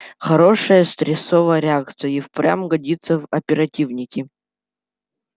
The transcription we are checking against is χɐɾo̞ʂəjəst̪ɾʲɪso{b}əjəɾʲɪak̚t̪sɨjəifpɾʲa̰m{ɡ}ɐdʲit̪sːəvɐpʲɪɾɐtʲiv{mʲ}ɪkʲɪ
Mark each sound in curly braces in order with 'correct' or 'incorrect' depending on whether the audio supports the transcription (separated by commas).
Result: incorrect, correct, incorrect